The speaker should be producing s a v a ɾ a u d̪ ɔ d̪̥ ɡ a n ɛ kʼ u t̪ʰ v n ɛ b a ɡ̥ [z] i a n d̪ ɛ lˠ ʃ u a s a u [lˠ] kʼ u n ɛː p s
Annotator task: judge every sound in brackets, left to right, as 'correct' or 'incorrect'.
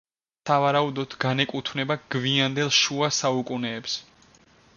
incorrect: v, incorrect: none

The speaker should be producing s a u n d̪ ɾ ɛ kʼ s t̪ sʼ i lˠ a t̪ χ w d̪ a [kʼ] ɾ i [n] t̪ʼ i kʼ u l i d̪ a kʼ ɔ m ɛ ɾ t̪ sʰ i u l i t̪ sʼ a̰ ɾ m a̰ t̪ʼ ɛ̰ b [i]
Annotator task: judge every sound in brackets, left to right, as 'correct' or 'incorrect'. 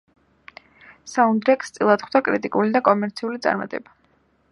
correct, incorrect: none, incorrect: a

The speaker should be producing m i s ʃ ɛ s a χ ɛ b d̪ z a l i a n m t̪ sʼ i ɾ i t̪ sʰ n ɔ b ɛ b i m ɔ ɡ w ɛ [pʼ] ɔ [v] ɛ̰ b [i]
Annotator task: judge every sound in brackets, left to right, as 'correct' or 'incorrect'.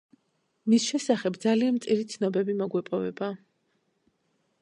correct, correct, incorrect: a

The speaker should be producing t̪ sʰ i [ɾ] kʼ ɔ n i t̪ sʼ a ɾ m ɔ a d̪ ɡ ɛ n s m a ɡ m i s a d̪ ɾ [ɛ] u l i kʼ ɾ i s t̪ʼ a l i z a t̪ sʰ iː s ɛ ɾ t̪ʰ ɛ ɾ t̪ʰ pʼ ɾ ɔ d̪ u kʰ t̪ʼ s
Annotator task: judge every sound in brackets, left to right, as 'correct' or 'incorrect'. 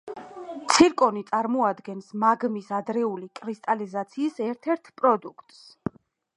correct, correct

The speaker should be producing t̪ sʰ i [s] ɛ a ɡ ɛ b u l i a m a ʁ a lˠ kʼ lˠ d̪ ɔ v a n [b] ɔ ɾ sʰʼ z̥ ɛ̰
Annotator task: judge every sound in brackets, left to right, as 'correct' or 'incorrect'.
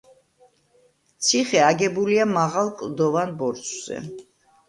incorrect: χ, correct

